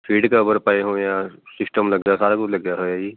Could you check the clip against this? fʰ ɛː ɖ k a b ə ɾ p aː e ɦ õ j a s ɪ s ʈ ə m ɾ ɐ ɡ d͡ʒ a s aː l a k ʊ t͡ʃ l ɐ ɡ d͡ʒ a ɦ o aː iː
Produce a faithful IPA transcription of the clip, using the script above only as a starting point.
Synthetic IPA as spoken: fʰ iː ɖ k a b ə ɾ p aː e ɦ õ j a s ɪ s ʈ ə m l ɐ ɡ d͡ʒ a s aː ɾ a k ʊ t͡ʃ l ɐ ɡ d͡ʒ a ɦ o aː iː

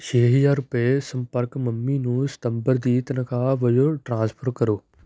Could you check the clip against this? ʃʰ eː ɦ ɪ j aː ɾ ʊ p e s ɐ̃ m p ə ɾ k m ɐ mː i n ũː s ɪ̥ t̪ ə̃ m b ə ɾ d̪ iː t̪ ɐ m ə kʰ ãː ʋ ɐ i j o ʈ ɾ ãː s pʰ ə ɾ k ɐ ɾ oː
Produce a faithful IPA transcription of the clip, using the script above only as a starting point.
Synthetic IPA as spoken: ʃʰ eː ɦ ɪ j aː ɾ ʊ p e s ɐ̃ m p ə ɾ k m ɐ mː i n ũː s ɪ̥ t̪ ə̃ m b ə ɾ d̪ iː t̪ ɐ n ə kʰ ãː ʋ ɐ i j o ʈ ɾ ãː s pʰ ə ɾ k ɐ ɾ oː

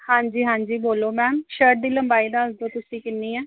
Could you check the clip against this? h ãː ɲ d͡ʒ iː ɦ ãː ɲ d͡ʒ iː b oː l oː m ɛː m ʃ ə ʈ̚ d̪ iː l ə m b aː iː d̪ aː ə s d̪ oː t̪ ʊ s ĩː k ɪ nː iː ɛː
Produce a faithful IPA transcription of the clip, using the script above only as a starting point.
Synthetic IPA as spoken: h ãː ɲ d͡ʒ iː ɦ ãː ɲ d͡ʒ iː b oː l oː m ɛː m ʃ ə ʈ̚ d̪ iː l ə m b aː iː d̪ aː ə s d̪ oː t̪ ʊ s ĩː k ɪ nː iː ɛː

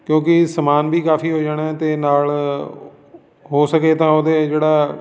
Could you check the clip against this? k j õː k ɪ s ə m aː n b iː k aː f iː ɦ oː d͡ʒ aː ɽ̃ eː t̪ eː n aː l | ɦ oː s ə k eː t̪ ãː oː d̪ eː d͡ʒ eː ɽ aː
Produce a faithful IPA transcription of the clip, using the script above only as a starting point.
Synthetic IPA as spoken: k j õː k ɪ s ə m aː n b iː k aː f iː ɦ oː d͡ʒ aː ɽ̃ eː t̪ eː n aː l | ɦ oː s ə k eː t̪ ãː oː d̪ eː d͡ʒ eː ɽ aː

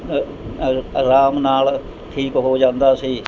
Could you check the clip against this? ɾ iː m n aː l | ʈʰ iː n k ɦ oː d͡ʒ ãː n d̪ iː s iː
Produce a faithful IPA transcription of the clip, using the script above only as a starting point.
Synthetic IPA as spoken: ɾ aː m n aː l | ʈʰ iː k ɦ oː d͡ʒ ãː n d̪ aː s iː

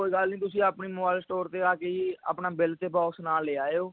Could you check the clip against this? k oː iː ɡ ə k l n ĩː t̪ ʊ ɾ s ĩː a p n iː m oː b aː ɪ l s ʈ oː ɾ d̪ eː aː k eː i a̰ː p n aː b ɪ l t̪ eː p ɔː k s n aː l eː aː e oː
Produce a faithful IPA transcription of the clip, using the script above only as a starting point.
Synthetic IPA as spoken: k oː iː ɡ ə l n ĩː t̪ ʊ s ĩː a p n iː m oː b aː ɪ l s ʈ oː ɾ t̪ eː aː k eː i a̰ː p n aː b ɪ l t̪ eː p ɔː k s n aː l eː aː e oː

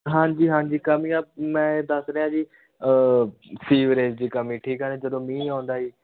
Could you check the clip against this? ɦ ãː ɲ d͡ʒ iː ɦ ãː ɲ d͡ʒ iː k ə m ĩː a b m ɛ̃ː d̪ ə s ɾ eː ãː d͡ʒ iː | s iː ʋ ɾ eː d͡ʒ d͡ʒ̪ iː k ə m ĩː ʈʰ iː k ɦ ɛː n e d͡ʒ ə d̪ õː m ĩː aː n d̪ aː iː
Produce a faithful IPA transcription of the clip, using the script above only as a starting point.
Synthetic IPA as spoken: ɦ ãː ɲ d͡ʒ iː ɦ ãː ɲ d͡ʒ iː k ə m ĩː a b m ɛ̃ː d̪ ə s ɾ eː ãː d͡ʒ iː | s iː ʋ ɾ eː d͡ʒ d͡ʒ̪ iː k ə m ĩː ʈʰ iː k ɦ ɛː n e d͡ʒ ə d̪ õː m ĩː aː n d̪ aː iː

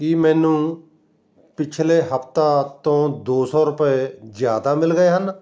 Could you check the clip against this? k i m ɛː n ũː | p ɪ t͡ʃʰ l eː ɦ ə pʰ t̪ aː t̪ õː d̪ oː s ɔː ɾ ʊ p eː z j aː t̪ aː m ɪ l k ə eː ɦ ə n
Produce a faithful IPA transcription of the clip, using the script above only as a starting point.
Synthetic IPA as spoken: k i m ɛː n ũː | p ɪ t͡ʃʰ l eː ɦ ə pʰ t̪ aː t̪ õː d̪ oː s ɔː ɾ ʊ p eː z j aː d̪ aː m ɪ l ɡ ə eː ɦ ə n

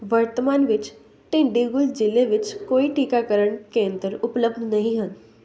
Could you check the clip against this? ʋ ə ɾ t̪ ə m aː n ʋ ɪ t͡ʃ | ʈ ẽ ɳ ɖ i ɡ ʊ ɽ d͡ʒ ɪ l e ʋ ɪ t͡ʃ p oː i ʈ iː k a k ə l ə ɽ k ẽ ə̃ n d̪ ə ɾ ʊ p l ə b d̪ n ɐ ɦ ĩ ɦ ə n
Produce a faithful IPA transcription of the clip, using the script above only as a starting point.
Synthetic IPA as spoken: ʋ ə ɾ t̪ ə m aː n ʋ ɪ t͡ʃ | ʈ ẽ ɳ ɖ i ɡ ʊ l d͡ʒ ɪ l e ʋ ɪ t͡ʃ k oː i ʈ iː k a k ə ɾ ə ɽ k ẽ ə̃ n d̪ ə ɾ ʊ p l ə b d̪ n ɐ ɦ ĩ ɦ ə n

